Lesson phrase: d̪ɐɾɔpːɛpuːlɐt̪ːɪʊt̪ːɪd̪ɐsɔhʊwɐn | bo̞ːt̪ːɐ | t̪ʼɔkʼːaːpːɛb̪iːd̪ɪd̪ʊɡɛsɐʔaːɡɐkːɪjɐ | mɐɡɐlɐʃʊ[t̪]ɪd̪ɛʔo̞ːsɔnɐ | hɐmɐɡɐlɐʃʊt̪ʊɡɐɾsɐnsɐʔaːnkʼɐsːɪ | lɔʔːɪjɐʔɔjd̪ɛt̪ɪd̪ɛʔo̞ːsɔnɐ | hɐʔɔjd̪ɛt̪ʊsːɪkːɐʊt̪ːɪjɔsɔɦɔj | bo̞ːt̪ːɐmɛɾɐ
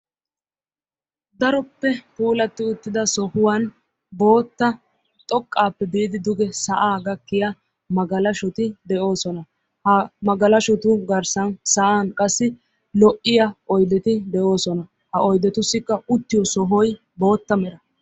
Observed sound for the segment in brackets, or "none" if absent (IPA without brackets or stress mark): t̪